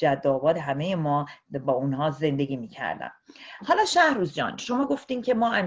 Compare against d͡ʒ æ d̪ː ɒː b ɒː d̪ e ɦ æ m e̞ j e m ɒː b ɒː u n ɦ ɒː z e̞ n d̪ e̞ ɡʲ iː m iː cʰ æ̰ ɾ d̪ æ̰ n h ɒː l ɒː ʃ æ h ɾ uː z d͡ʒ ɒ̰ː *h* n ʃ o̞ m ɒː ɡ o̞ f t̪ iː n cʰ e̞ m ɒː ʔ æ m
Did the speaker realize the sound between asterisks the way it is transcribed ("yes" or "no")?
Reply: no